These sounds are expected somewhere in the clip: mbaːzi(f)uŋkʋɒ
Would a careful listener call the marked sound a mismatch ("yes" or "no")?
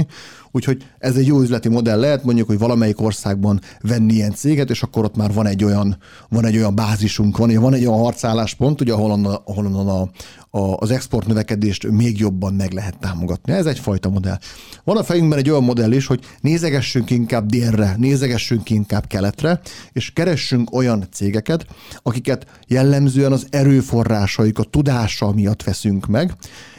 yes